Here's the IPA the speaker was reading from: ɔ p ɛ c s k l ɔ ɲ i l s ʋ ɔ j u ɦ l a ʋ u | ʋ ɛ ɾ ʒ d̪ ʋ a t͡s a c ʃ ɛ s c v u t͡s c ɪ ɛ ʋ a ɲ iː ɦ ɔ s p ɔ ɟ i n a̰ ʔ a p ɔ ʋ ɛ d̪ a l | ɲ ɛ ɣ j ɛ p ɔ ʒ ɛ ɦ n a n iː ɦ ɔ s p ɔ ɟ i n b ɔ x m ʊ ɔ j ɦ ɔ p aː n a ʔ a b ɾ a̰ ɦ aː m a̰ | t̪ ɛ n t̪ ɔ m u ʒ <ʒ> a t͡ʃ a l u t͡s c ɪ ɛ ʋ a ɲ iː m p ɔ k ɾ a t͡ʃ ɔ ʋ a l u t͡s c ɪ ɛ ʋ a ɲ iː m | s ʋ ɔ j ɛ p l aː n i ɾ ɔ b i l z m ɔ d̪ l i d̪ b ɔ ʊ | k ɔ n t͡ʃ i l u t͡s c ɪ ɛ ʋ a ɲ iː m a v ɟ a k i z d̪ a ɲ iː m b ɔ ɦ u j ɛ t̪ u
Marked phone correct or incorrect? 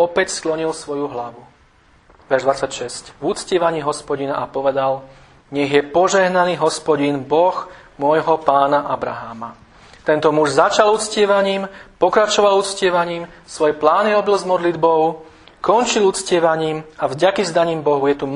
incorrect